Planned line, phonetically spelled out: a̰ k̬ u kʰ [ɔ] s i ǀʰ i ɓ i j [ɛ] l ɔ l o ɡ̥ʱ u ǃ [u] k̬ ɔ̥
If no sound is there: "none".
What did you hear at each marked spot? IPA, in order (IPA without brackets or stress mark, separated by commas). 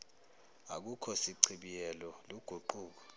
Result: ɔ, ɛ, uː